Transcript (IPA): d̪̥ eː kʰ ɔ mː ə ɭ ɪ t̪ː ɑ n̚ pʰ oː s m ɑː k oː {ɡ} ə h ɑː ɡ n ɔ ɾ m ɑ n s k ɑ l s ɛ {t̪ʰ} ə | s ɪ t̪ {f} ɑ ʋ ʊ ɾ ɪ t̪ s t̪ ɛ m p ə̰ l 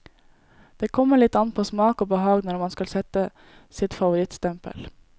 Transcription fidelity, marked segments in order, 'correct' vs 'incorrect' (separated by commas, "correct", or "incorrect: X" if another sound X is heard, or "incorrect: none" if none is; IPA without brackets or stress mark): incorrect: b, incorrect: t̪, correct